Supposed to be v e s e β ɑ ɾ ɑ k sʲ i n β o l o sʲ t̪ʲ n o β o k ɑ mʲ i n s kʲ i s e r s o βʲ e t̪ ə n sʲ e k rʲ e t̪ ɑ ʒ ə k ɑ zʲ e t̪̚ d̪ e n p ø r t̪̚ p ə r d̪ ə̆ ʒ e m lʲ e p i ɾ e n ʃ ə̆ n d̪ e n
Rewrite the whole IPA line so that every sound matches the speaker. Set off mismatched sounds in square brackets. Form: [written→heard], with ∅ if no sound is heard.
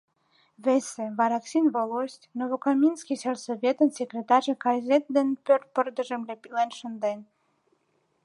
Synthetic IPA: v e s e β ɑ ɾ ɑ k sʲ i n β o l o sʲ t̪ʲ n o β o k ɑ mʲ i n s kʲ i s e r s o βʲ e t̪ ə n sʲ e k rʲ e t̪ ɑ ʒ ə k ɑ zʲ e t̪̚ d̪ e n p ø r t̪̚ p ə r d̪ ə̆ ʒ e m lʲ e p i [ɾ→l] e n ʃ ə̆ n d̪ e n